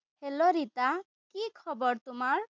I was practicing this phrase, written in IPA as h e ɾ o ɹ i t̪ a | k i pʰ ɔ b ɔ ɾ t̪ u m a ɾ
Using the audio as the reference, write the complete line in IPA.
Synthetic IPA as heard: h e l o ɾ i t̪ a | k i kʰ ɔ b ɔ ɾ t̪ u m a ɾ